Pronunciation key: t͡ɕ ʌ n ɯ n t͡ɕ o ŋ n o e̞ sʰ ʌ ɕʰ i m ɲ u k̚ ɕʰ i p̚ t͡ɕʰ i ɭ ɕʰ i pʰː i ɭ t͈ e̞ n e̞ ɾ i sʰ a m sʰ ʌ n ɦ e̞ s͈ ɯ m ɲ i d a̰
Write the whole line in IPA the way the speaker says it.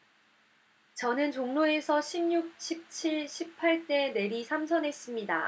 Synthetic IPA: t͡ɕ ʌ n ɯ n t͡ɕ o ŋ n o e̞ sʰ ʌ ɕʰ i m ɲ u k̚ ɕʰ i p̚ t͡ɕʰ i ɭ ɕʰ i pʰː a ɭ t͈ e̞ n e̞ ɾ i sʰ a m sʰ ʌ n ɦ e̞ s͈ ɯ m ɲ i d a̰